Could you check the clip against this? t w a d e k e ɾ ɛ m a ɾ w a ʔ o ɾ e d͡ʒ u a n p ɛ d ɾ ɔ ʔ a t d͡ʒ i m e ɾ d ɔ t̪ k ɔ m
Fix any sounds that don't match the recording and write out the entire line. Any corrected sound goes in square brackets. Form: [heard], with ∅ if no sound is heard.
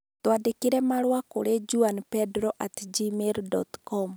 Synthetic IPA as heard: t w a d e k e ɾ ɛ m a ɾ w a [k] o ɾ e d͡ʒ u a n p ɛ d ɾ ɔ ʔ a t d͡ʒ i m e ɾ d ɔ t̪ k ɔ m

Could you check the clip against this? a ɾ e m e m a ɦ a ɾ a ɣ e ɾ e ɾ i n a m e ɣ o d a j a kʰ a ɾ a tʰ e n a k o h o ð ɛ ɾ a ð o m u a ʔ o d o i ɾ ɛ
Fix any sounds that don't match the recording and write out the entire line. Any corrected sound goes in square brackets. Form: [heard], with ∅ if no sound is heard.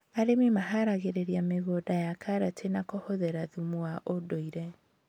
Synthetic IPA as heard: a ɾ e m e m a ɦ a ɾ a ɣ e ɾ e ɾ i [∅] a m e ɣ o d a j a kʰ a ɾ a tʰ e n a k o h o ð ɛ ɾ a ð [u] m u a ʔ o d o i ɾ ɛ

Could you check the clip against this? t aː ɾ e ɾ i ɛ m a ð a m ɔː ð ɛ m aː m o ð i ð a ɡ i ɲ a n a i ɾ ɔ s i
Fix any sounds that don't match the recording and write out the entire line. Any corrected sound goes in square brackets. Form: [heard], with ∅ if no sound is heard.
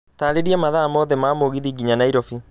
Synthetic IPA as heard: t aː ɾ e ɾ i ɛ m a ð a m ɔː ð ɛ m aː m o [ɣ] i ð [i] ɡ i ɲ a n a i ɾ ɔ [f] i

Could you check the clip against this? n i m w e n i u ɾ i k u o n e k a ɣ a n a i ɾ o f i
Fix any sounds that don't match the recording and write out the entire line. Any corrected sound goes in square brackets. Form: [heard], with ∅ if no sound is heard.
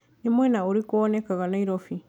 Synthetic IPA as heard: n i m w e n [a] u ɾ i k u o n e k a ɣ a n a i ɾ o f i

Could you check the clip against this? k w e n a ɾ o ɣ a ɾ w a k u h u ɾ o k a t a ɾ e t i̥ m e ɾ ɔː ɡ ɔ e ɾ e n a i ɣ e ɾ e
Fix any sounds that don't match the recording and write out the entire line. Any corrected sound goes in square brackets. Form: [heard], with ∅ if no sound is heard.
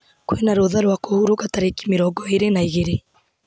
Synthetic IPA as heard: k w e n a ɾ o [ð] a ɾ w a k [o] h u ɾ o k a t a ɾ e [k] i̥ m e ɾ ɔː ɡ ɔ e ɾ e n a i ɣ e ɾ e

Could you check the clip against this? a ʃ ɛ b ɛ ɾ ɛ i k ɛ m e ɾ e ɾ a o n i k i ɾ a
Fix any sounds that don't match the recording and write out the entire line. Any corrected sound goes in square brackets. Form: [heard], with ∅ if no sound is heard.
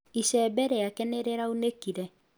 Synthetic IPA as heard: [i] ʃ ɛ b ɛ ɾ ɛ [a] k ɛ [n] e ɾ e ɾ a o n [e] k i ɾ [ɛ]

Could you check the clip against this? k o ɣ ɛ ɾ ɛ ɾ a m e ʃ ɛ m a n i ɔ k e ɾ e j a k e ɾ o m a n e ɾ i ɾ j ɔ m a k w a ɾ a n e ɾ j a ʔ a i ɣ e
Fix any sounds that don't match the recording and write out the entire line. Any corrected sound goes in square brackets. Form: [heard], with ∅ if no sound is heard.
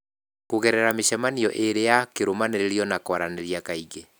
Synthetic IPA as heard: k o ɣ ɛ ɾ ɛ ɾ a m e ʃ ɛ m a n i ɔ [ʔ] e ɾ e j a k e ɾ o m a n e ɾ [e] ɾ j ɔ [n] a k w a ɾ a n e ɾ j a [k] a i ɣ e

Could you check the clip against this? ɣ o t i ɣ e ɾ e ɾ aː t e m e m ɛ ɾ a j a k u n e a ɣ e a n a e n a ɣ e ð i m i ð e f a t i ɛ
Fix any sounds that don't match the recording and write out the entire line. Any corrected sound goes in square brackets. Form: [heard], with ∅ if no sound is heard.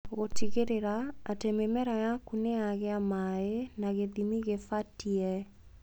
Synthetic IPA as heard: ɣ o t i ɣ e ɾ e ɾ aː t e m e m ɛ ɾ a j a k u n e a ɣ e a [m] a e n a ɣ e ð i m i [ɣ] e f a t i ɛ

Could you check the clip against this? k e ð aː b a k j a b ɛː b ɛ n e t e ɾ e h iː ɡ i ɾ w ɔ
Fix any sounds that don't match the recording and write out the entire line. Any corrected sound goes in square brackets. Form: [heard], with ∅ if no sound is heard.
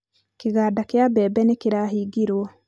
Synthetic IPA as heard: k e [ɣ] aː [d] a k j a b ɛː b ɛ n e [k] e ɾ [a] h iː ɡ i ɾ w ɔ

